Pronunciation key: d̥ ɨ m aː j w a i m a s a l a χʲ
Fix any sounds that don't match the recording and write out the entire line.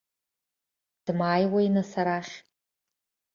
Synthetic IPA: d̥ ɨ m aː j w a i n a s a ɾ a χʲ

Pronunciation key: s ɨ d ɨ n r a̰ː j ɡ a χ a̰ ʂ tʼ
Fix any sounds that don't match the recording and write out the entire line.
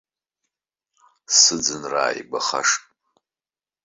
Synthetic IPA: s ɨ d͡z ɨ n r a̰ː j b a χ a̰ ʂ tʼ

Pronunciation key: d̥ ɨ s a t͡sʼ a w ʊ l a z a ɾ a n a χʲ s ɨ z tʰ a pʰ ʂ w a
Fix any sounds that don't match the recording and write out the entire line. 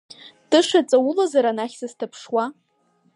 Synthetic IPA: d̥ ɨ ʂ a t͡sʼ a w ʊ l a z a ɾ a n a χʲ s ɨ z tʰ a pʰ ʂ w a

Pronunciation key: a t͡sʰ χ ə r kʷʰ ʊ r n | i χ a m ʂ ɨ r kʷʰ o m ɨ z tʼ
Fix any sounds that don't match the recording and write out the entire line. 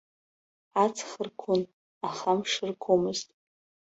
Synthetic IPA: a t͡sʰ χ ə r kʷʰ ʊ n | a χ a m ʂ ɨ r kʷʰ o m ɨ z tʼ

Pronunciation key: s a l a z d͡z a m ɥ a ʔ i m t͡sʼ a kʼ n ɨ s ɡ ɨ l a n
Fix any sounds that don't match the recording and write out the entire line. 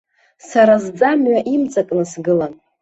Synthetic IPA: s a ɾ a z d͡z a m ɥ a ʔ i m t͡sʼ a kʼ n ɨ s ɡ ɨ l a n

